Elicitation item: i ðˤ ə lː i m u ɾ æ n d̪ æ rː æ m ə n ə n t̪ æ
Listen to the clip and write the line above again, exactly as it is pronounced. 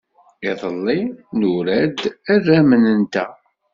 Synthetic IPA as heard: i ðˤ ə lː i n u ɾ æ d̪ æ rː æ m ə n ə n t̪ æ